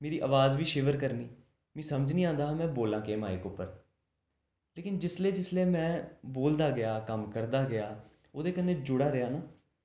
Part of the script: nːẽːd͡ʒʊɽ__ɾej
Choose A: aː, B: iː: A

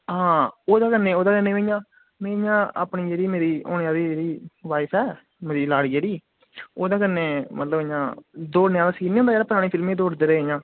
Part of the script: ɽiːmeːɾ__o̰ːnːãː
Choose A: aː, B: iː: B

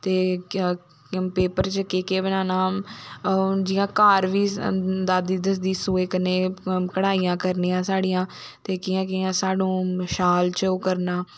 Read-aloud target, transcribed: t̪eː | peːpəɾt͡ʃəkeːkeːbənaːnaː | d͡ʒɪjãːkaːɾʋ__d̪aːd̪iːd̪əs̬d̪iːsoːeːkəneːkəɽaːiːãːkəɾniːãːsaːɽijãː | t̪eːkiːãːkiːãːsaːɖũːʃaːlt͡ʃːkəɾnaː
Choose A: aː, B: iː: B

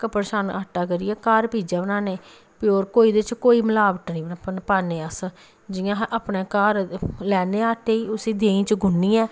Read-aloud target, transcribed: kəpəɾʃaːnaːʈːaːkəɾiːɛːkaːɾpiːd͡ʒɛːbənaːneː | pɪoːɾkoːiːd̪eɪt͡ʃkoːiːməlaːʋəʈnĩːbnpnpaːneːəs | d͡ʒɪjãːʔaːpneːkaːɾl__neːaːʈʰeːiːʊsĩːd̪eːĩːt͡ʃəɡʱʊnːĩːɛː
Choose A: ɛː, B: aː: A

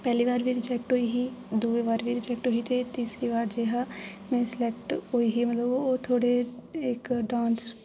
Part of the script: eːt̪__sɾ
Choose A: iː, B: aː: A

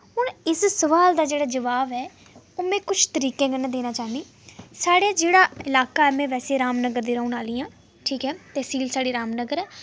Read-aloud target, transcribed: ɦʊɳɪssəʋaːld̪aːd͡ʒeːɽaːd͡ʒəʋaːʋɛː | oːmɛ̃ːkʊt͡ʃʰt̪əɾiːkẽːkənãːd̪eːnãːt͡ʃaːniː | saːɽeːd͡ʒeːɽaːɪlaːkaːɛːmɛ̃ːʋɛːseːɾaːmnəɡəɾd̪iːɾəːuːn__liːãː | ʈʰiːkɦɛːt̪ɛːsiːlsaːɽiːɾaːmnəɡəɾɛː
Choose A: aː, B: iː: A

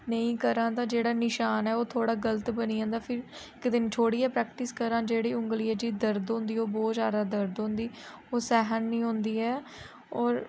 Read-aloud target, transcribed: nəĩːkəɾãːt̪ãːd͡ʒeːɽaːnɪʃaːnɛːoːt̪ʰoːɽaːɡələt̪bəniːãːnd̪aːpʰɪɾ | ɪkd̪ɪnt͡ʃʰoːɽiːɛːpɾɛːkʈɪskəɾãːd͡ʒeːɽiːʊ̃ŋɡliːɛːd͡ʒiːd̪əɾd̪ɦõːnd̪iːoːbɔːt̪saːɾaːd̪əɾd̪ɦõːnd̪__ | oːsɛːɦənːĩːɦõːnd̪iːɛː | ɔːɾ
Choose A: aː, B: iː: B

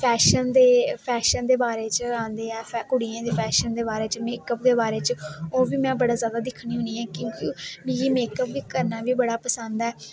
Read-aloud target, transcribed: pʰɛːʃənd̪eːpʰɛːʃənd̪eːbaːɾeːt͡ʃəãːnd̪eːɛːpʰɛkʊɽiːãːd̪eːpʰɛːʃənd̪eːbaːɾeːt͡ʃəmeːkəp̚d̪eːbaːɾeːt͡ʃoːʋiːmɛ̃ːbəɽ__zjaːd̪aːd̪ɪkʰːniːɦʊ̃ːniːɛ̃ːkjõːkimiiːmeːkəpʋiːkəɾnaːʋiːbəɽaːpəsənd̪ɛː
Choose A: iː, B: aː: B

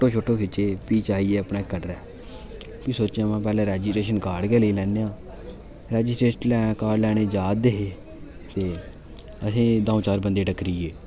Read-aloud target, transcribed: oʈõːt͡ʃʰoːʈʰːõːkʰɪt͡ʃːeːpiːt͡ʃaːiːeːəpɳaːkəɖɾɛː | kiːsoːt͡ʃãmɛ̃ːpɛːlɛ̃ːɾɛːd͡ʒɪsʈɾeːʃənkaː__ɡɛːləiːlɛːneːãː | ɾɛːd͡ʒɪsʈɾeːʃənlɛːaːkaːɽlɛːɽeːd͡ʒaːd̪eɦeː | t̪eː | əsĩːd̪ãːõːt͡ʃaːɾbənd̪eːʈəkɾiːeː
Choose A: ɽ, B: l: A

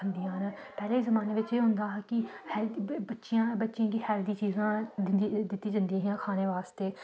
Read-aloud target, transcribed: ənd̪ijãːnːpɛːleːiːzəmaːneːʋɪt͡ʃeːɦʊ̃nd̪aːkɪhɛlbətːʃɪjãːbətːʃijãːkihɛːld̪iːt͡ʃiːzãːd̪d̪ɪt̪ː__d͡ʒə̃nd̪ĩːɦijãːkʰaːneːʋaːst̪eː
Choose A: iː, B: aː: A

